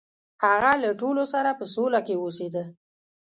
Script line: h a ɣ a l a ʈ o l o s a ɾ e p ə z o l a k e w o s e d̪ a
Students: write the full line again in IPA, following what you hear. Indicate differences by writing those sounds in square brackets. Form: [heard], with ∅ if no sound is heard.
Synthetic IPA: h a ɣ a l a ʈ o l o s a ɾ [a] p ə [s] o l a k e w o s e d̪ [ə]

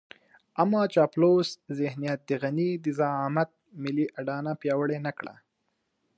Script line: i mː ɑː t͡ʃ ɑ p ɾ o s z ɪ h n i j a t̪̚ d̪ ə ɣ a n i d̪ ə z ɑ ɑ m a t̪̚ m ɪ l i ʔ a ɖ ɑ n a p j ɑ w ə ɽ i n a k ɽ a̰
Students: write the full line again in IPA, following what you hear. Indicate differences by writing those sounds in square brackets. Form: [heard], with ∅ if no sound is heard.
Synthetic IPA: [a] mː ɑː t͡ʃ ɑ p [l] o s z ɪ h n i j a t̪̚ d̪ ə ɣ a n i d̪ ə z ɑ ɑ m a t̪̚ m ɪ l i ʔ a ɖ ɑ n a p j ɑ w ə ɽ [e] n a k ɽ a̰

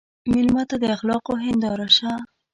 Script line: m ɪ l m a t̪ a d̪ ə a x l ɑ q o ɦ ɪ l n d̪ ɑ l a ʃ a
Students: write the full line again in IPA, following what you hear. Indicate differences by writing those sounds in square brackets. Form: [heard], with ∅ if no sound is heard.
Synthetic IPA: m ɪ l m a t̪ a d̪ ə a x l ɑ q o ɦ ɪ [∅] n d̪ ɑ [ɾ] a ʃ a

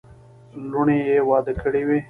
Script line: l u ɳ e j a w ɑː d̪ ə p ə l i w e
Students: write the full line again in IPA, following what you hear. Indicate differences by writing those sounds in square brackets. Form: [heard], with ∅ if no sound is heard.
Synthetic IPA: l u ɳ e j [e] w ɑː d̪ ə [k] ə [ɽ] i w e

